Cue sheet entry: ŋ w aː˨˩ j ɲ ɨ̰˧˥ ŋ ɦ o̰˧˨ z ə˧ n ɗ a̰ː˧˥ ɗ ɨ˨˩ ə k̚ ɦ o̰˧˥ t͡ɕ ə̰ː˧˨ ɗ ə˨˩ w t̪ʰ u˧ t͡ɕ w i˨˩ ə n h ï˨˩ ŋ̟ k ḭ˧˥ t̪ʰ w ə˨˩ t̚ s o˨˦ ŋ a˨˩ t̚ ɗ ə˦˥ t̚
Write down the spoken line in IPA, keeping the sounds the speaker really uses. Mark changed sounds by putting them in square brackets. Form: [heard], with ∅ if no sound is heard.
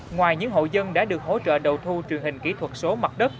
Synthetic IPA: ŋ w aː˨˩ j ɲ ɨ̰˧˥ ŋ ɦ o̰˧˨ z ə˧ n ɗ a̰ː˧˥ ɗ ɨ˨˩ ə k̚ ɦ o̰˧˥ t͡ɕ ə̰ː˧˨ ɗ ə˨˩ w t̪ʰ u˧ t͡ɕ w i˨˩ ə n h ï˨˩ ŋ̟ k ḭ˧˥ t̪ʰ w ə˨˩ t̚ s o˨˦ [m] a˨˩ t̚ ɗ ə˦˥ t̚